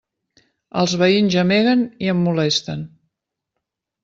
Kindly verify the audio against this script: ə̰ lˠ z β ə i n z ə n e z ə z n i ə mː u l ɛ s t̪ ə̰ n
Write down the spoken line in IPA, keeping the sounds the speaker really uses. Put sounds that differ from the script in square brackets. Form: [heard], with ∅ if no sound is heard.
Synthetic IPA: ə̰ lˠ z β ə i n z ə [m] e [ɣ] ə [∅] n i ə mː u l ɛ s t̪ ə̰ n